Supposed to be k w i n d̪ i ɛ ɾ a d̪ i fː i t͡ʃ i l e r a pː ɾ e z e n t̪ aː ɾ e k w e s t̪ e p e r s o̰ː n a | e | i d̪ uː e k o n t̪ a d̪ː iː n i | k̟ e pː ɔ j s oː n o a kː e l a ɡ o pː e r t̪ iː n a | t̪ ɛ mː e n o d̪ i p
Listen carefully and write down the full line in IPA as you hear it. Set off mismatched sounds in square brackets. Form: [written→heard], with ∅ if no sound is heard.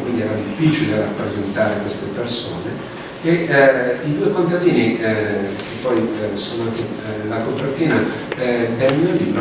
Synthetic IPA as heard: k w i n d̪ i ɛ ɾ a d̪ i fː i t͡ʃ i l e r a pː ɾ e z e n t̪ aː ɾ e k w e s t̪ e p e r s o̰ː n [a→e] | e | i d̪ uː e k o n t̪ a [d̪ː→d̪] iː n i | k̟ e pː ɔ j s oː n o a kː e l a [ɡ→k] o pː e r t̪ iː n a | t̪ ɛ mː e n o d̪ i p